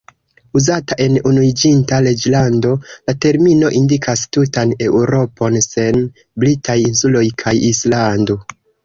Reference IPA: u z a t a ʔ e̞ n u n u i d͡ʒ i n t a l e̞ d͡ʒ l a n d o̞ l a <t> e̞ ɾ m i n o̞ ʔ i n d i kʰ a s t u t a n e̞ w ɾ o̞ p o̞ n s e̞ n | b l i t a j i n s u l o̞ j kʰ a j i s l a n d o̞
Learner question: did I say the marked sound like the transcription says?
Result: yes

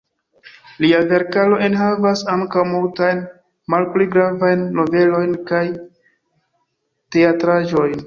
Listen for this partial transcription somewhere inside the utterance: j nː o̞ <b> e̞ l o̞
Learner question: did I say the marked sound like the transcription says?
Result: no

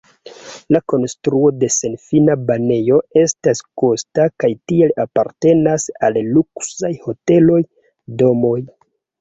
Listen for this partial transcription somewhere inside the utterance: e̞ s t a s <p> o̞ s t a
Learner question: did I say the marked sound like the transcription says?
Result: no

